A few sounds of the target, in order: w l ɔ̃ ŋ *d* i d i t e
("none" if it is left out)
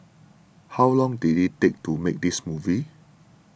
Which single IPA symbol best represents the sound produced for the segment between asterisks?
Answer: d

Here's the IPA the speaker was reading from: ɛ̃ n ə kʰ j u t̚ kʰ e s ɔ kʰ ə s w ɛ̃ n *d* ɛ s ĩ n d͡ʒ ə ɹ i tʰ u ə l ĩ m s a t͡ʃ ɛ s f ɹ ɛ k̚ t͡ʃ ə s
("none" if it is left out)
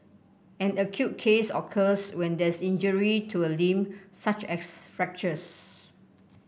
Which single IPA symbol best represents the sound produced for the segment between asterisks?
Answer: d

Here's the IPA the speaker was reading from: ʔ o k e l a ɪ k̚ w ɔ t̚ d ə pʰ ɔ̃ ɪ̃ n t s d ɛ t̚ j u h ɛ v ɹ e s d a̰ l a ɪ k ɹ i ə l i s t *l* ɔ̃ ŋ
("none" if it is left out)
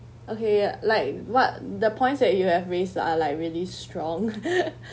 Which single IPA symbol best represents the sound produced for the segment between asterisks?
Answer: ɹ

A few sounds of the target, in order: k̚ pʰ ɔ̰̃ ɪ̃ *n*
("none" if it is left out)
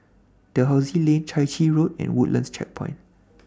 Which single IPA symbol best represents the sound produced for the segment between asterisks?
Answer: n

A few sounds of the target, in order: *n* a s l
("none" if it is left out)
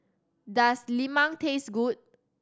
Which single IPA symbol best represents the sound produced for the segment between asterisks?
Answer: d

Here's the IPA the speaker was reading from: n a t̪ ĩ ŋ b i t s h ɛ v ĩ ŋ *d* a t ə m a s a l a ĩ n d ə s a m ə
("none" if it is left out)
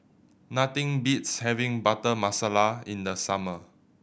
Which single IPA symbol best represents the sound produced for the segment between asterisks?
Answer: b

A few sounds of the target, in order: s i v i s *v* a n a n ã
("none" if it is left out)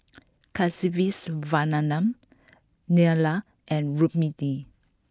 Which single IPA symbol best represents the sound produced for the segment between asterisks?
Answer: v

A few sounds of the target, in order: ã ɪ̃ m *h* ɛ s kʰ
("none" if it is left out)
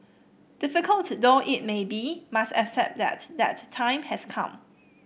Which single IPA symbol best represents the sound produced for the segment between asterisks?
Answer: h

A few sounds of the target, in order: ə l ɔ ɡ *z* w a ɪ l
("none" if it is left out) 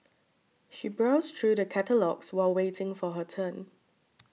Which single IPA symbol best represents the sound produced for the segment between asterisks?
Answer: s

